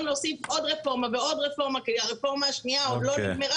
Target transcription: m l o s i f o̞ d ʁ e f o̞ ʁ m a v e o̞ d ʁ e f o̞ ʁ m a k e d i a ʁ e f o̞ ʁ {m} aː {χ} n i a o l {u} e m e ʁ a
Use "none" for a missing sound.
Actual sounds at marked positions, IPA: m, ʃ, o

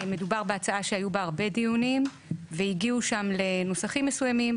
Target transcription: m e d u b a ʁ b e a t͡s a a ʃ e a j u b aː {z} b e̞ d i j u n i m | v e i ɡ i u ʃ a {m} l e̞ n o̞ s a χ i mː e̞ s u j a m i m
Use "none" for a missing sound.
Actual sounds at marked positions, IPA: ʁ, m

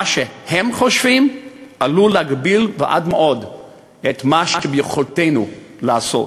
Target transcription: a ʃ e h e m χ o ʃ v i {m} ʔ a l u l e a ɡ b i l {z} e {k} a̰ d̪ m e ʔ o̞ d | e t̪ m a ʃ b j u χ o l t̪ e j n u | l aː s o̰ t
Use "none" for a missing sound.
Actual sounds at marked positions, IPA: m, v, ʔ

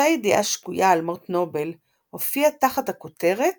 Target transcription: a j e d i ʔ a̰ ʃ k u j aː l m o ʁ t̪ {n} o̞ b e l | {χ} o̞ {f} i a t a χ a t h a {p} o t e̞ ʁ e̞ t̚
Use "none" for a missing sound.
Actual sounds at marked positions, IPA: n, h, f, k

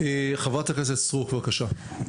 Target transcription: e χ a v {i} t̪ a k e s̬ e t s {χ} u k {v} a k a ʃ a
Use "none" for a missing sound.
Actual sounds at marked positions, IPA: a, ʁ, v

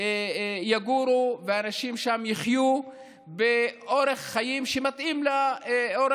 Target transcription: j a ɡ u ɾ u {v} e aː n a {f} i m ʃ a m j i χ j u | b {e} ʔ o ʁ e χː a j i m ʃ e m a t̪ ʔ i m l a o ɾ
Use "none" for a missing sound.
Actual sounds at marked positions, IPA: v, ʃ, e

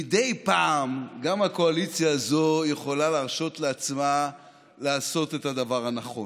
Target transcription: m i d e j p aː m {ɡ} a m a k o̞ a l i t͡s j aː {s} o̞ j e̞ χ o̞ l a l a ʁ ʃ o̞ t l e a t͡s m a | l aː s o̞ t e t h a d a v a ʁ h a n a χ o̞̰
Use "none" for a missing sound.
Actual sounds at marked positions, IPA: ɡ, z

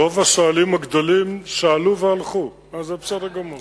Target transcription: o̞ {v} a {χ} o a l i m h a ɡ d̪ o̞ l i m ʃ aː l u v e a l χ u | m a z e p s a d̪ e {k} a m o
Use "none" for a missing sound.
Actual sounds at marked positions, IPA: v, ʃ, ɡ

